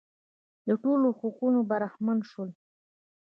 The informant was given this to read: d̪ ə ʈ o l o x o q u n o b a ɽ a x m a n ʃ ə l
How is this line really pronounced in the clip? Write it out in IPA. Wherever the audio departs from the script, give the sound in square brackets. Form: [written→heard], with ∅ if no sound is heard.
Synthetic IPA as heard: d̪ ə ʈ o l o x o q u n o b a [ɽ→ɾ] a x m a n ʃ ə l